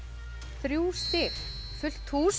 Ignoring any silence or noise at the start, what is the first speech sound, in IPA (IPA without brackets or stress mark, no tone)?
θ